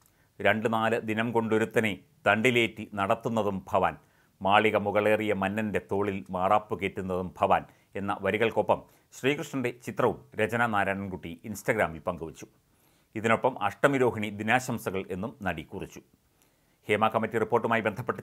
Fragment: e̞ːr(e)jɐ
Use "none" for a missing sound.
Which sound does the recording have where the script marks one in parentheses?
i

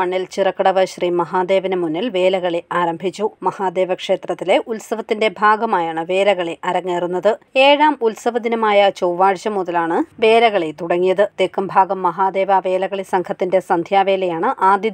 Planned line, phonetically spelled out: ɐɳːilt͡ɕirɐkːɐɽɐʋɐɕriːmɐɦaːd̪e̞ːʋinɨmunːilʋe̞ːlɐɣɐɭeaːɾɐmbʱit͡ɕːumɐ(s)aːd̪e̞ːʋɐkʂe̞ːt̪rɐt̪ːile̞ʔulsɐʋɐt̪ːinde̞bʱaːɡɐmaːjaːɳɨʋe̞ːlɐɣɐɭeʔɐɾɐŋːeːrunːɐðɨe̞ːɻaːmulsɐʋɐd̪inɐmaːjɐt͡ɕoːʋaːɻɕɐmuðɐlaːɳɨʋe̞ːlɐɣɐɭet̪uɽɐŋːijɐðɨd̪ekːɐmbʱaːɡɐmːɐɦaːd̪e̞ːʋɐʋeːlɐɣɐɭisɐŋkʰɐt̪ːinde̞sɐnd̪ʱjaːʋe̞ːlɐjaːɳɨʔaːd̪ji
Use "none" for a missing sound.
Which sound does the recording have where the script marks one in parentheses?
h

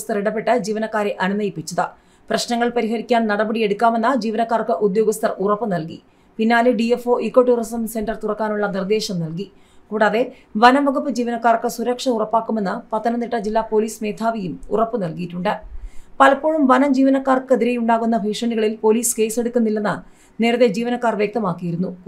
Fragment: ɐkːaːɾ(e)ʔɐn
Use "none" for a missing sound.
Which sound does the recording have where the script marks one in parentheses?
e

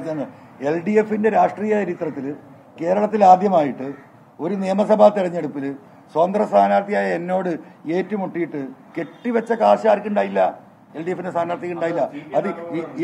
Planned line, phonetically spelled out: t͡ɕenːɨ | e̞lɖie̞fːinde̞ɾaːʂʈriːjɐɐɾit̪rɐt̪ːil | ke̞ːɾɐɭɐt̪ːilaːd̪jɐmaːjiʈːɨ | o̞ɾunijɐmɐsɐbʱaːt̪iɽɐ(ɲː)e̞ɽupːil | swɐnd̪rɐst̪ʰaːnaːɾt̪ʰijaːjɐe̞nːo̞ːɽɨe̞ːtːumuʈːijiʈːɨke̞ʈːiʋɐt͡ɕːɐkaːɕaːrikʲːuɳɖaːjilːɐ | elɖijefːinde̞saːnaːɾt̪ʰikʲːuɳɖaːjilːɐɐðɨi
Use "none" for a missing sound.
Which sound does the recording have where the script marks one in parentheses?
ɲː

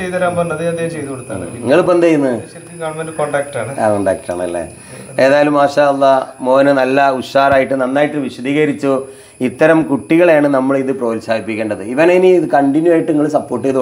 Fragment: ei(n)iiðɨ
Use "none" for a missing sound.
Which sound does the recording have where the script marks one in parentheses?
n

